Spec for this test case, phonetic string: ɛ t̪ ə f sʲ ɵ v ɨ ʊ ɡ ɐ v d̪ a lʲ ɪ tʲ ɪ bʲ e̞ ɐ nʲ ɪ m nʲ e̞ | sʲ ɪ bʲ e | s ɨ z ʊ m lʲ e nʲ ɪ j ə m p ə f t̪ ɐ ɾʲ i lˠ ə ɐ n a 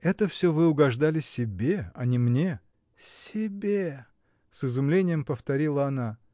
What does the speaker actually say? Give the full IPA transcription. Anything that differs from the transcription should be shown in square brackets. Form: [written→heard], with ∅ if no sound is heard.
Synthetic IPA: ɛ t̪ ə f sʲ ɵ v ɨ ʊ ɡ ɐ [v→ʐ] d̪ a lʲ ɪ [tʲ→sʲ] ɪ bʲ e̞ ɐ nʲ ɪ m nʲ e̞ | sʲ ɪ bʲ e | s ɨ z ʊ m lʲ e nʲ ɪ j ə m p ə f t̪ ɐ ɾʲ i lˠ ə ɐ n a